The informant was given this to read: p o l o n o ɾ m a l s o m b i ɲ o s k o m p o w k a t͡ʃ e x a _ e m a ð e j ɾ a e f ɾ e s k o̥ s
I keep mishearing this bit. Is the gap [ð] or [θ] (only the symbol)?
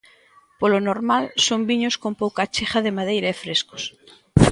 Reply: ð